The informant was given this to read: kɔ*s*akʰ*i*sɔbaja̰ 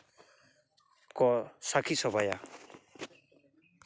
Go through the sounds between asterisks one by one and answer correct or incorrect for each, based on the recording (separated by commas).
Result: correct, correct